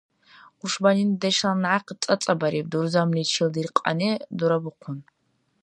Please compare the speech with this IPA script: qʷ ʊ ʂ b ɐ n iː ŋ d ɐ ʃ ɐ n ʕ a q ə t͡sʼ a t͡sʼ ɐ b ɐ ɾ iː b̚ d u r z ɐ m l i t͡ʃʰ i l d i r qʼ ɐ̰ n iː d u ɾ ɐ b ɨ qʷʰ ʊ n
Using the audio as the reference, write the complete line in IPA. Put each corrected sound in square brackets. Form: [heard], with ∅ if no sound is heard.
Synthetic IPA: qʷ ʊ ʂ b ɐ n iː [n] d ɐ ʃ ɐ n ʕ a q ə t͡sʼ [ɐ] t͡sʼ ɐ b ɐ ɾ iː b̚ d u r z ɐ m l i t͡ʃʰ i l d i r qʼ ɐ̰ n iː d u ɾ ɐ b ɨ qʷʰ ʊ n